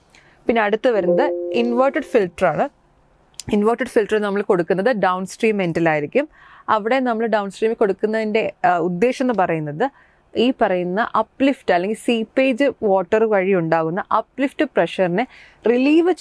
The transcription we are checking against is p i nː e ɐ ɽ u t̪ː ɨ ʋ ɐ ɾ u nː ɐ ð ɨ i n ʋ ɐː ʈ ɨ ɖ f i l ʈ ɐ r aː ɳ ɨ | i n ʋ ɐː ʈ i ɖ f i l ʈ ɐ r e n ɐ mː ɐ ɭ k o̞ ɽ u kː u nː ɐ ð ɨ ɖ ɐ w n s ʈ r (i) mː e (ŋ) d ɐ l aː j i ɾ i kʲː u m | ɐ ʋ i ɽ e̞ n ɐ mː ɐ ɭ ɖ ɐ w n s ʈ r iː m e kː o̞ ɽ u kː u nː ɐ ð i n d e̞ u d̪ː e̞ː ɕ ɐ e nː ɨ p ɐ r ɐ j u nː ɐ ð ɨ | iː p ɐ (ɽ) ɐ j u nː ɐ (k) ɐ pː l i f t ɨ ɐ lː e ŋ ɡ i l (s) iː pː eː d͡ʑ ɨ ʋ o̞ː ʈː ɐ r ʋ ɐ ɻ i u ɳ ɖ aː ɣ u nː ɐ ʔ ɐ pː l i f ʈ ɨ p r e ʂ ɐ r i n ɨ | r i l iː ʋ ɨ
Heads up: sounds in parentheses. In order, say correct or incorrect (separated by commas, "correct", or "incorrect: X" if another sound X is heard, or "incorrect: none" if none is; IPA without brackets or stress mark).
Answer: incorrect: iː, incorrect: n, incorrect: r, incorrect: ʔ, correct